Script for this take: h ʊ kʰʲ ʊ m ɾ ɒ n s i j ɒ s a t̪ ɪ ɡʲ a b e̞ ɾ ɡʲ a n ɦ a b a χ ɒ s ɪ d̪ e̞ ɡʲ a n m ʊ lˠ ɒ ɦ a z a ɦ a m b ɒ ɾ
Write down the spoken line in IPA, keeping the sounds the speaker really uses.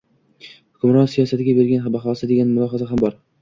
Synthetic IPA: h ʊ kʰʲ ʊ m ɾ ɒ n s i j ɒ s a t̪ ɪ ɡʲ a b e̞ ɾ ɡʲ a n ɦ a b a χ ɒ s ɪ d̪ e̞ ɡʲ a n m ʊ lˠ ɒ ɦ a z a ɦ a m b ɒ ɾ